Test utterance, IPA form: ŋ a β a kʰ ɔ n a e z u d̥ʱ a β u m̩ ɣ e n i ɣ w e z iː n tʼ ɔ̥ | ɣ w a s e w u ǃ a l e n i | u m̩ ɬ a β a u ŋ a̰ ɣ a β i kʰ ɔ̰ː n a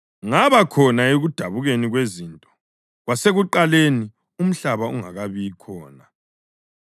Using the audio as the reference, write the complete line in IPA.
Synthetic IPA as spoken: ŋ a β a kʰ ɔ n a e ɣ u d̥ʱ a β u ɣ e n i ɣ w e z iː n tʼ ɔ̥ | ɣ w a s e ɣ u ǃ a l e n i | u m̩ ɬ a β a u ŋ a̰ ɣ a β i kʰ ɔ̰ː n a